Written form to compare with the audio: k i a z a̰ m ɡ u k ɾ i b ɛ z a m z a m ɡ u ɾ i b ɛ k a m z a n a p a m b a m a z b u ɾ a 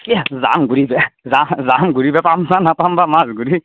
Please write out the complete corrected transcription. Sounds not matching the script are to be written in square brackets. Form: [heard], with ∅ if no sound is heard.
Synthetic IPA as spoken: k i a z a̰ m ɡ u [∅] ɾ i b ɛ z a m z a m ɡ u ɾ i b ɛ [p] a m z a n a p a m b a m a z [ɡ] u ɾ [i]